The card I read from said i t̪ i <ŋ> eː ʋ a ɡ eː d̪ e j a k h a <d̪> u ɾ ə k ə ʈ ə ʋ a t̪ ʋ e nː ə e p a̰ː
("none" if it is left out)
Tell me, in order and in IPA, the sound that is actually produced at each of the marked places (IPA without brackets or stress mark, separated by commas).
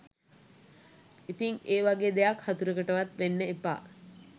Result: ŋ, t̪